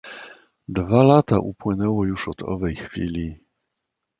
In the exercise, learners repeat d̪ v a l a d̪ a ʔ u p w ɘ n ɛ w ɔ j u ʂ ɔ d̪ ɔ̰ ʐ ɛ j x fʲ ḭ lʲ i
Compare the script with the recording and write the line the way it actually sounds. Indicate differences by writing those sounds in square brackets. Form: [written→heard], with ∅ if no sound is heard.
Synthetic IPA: d̪ v a l a [d̪→t̪] a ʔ u p w ɘ n ɛ w ɔ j u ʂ ɔ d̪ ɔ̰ [ʐ→v] ɛ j x fʲ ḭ lʲ i